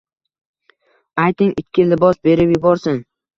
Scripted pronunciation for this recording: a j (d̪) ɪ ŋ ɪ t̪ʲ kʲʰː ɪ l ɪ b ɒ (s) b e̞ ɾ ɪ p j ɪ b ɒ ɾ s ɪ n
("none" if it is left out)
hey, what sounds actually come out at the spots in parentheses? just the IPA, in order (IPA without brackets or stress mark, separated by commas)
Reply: t̪, s